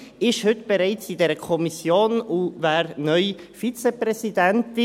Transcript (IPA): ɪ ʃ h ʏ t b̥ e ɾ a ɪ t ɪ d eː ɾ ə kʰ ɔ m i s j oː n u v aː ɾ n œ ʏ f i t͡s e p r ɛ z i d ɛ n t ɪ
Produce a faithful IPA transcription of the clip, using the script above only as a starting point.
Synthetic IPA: ɪ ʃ h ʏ t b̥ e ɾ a ɪ t͡s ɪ d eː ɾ ə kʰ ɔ m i s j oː n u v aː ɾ n œ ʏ f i t͡s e p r ɛ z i d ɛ n t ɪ